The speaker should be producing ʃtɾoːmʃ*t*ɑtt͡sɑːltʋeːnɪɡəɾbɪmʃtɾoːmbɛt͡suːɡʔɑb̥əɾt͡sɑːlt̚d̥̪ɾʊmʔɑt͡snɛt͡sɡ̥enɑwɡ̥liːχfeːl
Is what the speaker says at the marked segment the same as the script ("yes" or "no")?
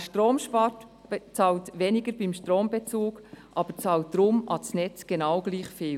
no